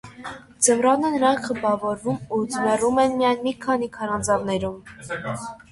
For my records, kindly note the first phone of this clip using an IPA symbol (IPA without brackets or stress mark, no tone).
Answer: d͡z